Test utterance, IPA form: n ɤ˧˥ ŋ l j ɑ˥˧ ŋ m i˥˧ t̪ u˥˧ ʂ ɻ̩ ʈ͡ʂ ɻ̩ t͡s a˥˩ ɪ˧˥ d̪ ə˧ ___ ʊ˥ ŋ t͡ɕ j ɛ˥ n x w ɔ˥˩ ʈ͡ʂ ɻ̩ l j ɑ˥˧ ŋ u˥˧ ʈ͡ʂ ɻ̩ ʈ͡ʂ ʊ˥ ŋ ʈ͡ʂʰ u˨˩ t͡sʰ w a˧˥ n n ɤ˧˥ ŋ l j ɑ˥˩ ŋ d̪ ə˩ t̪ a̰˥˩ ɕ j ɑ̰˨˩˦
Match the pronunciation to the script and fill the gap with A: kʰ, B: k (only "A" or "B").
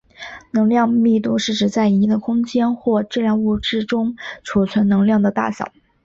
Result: A